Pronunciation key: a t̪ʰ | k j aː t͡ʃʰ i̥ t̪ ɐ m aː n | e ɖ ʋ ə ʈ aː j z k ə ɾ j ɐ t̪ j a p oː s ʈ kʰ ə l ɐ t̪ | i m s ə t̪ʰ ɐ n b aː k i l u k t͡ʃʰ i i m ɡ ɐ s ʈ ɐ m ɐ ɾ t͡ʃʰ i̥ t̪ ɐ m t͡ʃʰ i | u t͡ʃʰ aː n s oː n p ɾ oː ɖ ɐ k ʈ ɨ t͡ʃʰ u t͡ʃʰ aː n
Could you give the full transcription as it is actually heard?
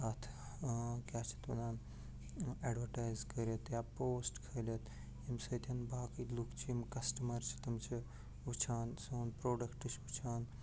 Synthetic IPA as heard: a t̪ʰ | k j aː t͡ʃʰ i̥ t̪ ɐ n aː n | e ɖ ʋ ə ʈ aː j z k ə ɾ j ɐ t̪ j a p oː s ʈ kʰ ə l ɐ t̪ | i m s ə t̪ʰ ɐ n b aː k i l u k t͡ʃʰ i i m k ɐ s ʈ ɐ m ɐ ɾ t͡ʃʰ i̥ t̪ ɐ m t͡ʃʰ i | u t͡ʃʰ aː n s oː n p ɾ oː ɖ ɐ k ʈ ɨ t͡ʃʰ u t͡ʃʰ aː n

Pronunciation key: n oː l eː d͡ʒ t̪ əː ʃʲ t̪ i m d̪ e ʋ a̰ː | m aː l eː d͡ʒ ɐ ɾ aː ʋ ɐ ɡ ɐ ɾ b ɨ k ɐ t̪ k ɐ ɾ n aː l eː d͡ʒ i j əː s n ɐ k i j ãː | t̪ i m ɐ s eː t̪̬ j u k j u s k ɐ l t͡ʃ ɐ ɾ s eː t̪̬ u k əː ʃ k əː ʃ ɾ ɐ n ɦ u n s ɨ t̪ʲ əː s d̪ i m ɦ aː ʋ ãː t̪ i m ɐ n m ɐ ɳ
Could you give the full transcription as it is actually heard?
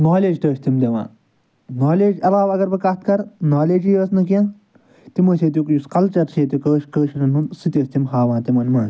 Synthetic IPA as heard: n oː l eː d͡ʒ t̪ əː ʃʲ t̪ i m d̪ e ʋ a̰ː | n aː l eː d͡ʒ ɐ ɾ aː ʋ ɐ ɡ ɐ ɾ b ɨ k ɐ t̪ k ɐ ɾ n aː l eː d͡ʒ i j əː s n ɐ k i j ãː | t̪ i m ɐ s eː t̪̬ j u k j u s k ɐ l t͡ʃ ɐ ɾ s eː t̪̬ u k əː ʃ k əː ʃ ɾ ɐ n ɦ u n s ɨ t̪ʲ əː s t̪ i m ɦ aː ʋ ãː t̪ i m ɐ n m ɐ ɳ

